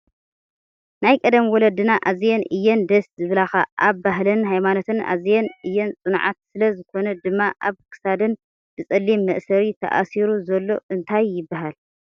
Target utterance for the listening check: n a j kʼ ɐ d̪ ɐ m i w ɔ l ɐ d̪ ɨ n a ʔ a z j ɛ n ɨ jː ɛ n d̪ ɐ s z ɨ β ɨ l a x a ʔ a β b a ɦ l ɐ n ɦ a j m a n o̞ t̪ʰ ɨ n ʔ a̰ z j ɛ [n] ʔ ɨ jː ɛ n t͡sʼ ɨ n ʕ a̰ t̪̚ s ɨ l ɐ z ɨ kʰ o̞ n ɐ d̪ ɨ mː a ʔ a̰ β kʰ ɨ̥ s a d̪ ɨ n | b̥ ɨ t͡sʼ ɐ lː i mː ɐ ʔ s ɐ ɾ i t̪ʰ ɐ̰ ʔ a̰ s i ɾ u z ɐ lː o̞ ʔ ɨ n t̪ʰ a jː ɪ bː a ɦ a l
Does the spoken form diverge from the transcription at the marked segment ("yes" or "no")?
no